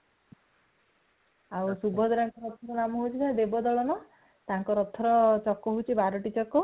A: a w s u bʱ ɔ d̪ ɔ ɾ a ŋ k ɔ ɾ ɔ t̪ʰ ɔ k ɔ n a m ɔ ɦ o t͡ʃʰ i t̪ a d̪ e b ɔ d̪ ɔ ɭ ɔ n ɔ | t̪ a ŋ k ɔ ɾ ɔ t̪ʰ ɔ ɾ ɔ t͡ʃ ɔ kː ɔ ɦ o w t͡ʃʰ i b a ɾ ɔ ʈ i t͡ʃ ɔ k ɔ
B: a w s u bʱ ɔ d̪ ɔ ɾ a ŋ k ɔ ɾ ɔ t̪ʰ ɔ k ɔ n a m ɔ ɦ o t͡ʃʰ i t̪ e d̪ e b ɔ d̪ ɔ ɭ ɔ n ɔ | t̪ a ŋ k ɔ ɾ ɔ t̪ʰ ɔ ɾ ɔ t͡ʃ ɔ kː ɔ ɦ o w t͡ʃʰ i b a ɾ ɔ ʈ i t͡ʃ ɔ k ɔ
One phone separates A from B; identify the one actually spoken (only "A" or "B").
A